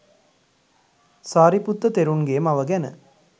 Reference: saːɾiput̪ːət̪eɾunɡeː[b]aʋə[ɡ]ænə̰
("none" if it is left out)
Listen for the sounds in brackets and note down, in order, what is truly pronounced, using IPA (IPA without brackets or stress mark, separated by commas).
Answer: m, ɡ